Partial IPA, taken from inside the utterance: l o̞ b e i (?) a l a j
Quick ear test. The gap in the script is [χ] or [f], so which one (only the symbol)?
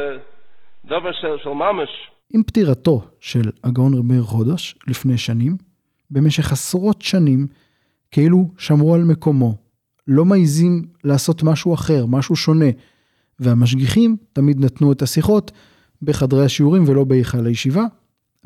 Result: χ